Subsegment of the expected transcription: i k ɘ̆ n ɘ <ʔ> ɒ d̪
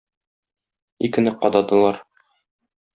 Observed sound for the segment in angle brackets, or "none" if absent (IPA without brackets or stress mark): q